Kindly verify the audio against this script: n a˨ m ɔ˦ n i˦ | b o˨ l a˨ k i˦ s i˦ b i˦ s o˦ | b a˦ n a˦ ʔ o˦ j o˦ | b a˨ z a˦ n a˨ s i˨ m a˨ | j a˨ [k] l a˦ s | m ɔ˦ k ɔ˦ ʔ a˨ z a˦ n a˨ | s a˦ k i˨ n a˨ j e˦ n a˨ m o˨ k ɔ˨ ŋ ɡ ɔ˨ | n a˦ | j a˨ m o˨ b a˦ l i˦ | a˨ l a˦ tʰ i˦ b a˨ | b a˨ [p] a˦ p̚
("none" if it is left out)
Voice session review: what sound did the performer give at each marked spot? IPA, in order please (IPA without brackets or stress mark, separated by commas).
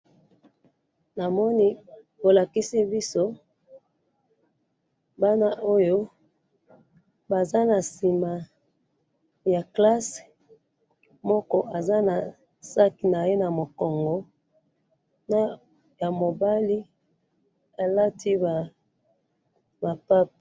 k, p